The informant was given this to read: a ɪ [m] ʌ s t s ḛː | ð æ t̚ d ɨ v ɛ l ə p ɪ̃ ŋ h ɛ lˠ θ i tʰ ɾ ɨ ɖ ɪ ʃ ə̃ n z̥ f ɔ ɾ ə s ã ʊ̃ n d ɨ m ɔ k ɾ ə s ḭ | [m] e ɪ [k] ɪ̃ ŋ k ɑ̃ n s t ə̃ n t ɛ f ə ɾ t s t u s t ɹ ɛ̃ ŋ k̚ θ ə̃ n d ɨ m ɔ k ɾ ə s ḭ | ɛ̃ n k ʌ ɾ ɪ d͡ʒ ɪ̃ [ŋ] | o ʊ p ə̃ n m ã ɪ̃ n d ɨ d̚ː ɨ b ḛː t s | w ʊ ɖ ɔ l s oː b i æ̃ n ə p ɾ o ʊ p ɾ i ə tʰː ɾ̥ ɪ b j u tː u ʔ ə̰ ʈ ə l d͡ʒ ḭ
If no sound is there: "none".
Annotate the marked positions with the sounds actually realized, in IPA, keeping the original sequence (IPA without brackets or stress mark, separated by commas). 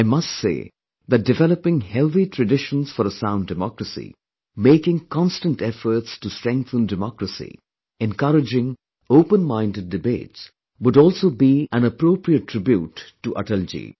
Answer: m, m, k, ŋ